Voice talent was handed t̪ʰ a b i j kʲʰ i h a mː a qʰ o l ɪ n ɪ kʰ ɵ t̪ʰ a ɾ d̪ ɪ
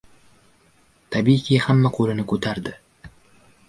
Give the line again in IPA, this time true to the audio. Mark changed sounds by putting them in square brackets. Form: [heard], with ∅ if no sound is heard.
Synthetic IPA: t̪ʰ a b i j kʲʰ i h a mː a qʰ o l ɪ n ɪ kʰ ɵ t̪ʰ a ɾ d̪ ɪ